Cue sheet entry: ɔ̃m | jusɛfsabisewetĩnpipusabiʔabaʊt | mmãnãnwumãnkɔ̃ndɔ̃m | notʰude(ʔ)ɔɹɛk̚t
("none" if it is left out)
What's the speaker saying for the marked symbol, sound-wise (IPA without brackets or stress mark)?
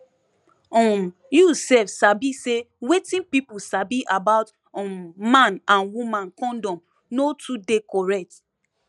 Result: k